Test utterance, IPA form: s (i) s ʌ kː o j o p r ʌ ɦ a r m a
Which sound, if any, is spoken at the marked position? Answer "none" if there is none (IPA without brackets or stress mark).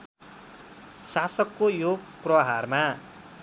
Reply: a